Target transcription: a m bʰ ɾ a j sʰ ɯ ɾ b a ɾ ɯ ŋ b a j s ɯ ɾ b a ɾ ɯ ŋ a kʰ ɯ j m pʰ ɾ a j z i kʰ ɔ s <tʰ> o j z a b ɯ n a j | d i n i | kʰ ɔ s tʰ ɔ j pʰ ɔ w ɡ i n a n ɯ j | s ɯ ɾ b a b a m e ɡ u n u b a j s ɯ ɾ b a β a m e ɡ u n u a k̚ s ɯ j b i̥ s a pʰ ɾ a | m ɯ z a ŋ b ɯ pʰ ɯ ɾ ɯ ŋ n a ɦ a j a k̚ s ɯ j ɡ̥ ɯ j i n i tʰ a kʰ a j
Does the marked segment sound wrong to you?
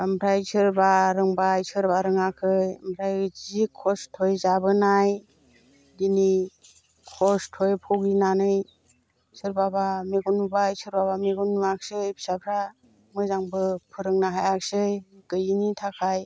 no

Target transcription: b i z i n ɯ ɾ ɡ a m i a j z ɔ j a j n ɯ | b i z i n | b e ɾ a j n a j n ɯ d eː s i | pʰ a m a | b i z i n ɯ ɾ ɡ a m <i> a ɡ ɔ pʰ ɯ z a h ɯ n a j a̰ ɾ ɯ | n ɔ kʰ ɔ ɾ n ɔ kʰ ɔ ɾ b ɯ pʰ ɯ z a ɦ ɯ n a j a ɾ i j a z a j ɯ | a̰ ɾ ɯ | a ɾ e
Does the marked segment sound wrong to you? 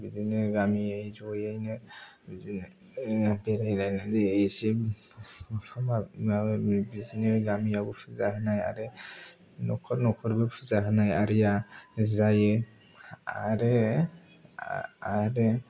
no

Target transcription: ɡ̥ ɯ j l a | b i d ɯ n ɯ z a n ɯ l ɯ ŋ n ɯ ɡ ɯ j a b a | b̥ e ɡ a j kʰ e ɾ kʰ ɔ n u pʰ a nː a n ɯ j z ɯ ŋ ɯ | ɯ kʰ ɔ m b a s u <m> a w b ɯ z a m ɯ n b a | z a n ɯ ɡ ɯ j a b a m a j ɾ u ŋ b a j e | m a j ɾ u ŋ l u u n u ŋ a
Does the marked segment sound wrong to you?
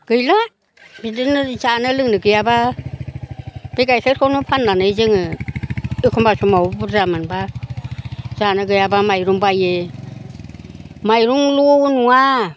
no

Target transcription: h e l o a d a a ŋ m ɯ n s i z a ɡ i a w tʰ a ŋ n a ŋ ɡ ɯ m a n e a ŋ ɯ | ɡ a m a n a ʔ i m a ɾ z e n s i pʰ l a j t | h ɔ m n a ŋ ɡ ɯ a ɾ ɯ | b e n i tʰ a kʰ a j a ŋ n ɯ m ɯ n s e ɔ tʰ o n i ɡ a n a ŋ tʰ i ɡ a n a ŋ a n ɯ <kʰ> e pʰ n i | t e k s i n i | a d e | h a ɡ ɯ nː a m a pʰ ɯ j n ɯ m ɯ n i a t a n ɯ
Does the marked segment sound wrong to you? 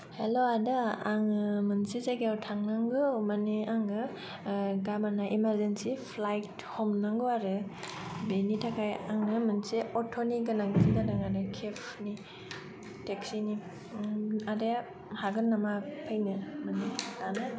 no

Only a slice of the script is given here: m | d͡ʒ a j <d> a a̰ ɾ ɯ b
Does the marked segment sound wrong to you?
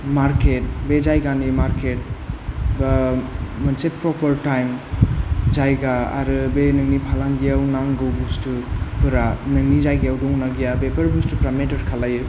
yes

